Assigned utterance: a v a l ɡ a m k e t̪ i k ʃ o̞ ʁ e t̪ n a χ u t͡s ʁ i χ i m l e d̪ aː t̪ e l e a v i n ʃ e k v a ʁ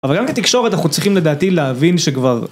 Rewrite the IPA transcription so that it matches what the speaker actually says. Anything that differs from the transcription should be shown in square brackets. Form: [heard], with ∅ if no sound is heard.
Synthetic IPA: a v a l ɡ a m k e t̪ i k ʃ o̞ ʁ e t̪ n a χ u t͡s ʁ i χ i m l e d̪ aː t̪ [i] l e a v i n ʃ e k v a ʁ